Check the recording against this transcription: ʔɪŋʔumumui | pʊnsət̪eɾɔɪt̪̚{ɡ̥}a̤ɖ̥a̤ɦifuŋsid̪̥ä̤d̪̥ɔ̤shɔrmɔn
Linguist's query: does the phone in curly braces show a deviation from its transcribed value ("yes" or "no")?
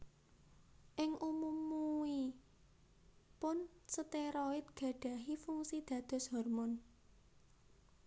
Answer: no